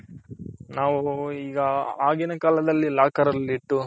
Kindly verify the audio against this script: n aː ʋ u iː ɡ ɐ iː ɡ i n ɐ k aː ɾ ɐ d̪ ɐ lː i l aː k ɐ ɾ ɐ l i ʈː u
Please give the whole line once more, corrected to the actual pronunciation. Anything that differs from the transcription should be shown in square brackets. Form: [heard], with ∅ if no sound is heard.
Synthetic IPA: n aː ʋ u iː ɡ ɐ [aː] ɡ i n ɐ k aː [l] ɐ d̪ ɐ lː i l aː k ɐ ɾ ɐ l i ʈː u